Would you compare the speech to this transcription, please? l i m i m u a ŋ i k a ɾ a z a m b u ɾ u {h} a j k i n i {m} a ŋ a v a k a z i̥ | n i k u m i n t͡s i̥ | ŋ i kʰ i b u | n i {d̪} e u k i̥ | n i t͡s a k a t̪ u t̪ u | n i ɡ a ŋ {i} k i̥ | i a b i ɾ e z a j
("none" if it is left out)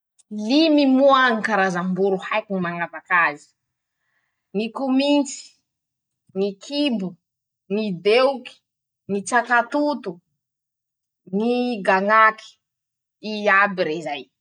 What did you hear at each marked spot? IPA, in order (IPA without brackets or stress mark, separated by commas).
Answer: h, m, d̪, a